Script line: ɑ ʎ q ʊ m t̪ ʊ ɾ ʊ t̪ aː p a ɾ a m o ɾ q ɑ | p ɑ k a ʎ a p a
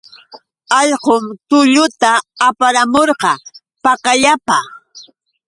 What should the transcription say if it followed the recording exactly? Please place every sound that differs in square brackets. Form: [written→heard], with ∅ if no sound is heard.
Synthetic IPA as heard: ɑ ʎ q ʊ m t̪ ʊ [ɾ→ʎ] ʊ t̪ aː p a ɾ a m o ɾ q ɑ | p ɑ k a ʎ a p a